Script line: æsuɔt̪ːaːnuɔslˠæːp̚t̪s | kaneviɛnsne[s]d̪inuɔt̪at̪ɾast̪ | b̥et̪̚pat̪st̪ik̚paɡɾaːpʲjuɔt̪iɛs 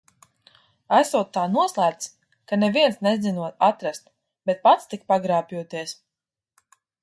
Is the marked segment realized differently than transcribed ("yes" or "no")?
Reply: yes